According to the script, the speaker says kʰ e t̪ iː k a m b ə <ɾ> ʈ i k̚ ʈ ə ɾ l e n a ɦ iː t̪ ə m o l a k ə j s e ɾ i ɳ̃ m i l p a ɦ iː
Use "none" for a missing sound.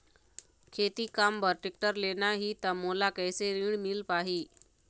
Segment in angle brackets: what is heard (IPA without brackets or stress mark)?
ɾ